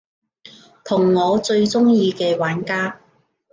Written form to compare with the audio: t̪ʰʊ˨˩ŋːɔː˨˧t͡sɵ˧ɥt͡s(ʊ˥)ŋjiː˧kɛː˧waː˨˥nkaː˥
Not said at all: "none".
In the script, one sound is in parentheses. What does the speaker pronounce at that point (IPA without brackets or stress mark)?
ʊ˥